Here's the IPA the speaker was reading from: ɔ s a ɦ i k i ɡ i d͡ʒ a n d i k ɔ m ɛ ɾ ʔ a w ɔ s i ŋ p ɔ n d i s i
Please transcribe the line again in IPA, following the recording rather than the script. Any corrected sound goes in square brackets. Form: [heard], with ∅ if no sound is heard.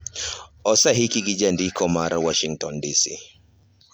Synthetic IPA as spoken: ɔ s a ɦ i k i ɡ i d͡ʒ a n d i k ɔ m [a] ɾ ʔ a w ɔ [ʃ] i ŋ [t] ɔ n d i s i